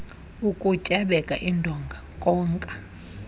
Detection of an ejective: present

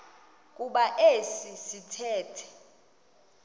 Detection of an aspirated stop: present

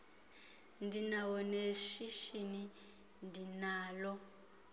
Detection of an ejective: absent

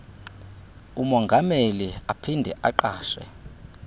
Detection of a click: present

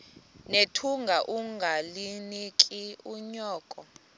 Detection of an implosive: absent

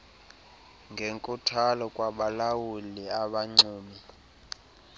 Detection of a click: present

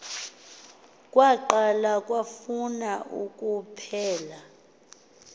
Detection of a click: present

